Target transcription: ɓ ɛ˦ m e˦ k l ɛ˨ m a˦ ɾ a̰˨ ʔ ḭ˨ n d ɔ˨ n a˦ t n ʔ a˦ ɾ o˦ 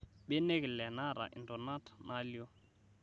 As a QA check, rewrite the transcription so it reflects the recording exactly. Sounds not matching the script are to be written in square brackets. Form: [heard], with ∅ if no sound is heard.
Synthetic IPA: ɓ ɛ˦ [n] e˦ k l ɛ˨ [n] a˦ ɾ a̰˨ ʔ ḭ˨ n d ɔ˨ n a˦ t n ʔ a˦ [l] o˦

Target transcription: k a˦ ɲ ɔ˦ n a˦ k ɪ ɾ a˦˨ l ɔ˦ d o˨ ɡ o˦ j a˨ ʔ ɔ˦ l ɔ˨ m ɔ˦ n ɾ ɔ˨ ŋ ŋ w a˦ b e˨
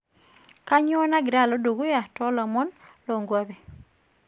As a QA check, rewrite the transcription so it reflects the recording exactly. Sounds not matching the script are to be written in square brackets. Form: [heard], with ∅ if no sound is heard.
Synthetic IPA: k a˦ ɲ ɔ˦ n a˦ [ɡ] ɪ ɾ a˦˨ l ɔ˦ d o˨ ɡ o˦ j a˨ [t] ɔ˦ l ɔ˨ m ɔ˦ n [l] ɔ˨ ŋ [ɡ] w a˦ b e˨

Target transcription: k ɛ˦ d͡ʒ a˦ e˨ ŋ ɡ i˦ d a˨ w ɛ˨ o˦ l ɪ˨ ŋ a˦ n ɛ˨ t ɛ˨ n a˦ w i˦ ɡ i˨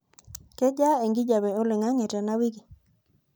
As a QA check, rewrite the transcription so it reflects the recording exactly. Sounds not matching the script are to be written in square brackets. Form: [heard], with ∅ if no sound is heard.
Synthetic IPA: k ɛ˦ d͡ʒ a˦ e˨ ŋ ɡ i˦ [d͡ʒ] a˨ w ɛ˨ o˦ l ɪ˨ ŋ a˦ [ŋ] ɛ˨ t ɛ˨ n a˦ w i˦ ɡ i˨

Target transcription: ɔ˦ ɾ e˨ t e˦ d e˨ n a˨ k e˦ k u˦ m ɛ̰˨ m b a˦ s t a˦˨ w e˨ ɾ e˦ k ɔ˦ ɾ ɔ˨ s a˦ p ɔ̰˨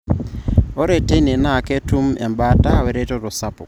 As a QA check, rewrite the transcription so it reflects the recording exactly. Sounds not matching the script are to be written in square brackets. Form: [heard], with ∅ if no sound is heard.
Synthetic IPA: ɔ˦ ɾ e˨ t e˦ [n] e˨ n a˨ k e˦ [t] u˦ m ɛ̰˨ m b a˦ [∅] t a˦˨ w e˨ ɾ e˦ [t] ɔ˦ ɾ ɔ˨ s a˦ p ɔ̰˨

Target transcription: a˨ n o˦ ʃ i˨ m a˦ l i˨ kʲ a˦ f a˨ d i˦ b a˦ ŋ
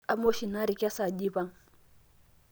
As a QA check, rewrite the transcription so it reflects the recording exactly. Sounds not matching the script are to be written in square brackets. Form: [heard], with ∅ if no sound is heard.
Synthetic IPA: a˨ [m] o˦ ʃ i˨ [n] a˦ [ɾ] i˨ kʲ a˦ [s] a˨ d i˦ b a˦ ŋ

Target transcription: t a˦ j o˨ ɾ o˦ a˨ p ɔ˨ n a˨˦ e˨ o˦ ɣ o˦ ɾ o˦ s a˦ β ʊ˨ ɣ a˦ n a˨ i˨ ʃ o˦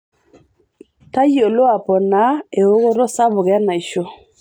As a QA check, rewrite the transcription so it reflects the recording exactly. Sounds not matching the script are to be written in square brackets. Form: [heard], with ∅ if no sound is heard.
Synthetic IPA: t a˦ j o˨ [l] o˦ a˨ p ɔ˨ n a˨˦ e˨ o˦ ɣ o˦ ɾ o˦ s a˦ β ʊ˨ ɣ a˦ n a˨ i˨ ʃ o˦

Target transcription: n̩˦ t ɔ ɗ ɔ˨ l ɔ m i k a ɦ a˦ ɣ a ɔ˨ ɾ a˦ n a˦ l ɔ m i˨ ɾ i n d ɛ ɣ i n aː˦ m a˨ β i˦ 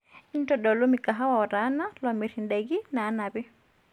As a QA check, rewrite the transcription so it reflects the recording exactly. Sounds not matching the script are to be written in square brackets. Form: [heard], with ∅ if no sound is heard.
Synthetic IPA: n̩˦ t ɔ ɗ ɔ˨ l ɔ m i k a ɦ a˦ [w] a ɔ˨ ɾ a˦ n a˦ l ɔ m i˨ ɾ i n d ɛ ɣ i n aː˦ [n] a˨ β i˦

